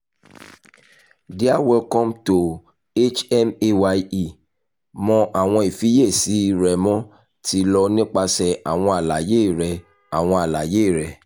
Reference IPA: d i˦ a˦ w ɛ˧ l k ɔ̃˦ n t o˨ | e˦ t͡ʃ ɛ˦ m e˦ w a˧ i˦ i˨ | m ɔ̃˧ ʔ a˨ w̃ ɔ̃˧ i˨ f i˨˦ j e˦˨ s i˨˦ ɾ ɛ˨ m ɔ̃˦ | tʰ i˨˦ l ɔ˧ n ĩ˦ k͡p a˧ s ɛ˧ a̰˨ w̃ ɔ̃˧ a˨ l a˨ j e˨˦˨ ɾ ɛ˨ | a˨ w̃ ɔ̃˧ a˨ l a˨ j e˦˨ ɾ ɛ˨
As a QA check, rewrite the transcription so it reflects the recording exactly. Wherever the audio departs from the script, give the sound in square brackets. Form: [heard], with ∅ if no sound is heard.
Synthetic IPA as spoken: d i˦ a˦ w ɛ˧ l k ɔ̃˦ [m] t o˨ | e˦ t͡ʃ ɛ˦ m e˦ w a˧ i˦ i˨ | m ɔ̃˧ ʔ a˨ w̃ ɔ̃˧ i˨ f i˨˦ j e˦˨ s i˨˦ ɾ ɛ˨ m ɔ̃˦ | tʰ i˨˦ l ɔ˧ n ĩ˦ k͡p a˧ s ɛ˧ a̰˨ w̃ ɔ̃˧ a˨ l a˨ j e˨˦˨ ɾ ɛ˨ | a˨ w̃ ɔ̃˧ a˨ l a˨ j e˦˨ ɾ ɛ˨